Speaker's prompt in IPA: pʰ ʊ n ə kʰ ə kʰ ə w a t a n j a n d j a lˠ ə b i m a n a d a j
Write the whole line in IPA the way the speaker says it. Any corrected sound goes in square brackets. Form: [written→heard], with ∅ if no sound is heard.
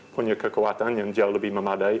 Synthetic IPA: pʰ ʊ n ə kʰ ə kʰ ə w a t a n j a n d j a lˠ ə b i m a [n→m] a d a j